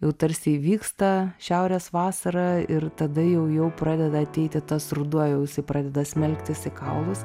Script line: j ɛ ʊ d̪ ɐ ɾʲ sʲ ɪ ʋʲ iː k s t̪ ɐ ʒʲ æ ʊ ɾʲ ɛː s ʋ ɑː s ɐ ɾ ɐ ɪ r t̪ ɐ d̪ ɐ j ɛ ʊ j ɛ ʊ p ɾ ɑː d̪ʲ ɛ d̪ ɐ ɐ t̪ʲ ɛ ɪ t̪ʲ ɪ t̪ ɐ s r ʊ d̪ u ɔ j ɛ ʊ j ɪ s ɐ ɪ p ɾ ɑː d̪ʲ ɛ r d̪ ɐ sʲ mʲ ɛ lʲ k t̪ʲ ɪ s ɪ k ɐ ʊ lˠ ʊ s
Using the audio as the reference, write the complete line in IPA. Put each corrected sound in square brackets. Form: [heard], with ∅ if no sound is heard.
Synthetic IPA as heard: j ɛ ʊ [t̪] ɐ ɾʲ sʲ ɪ ʋʲ iː k s t̪ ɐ [ʃʲ] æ ʊ ɾʲ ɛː s ʋ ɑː s ɐ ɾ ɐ ɪ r t̪ ɐ d̪ ɐ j ɛ ʊ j ɛ ʊ p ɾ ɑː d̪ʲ ɛ d̪ ɐ ɐ t̪ʲ ɛ ɪ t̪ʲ ɪ t̪ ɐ s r ʊ d̪ u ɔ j ɛ ʊ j ɪ s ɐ ɪ p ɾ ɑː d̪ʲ ɛ [∅] d̪ ɐ sʲ mʲ ɛ lʲ k t̪ʲ ɪ s ɪ k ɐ ʊ lˠ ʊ s